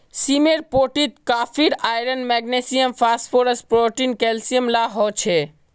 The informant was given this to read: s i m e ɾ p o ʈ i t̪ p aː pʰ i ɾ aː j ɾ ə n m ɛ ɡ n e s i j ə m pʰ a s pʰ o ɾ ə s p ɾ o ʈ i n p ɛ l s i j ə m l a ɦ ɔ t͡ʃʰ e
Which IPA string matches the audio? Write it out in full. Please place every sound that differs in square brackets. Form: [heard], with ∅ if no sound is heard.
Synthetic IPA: s i m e ɾ p o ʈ i t̪ [k] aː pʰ i ɾ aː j ɾ ə n m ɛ ɡ n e s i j ə m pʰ a s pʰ o ɾ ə s p ɾ o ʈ i n [k] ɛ l s i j ə m l a ɦ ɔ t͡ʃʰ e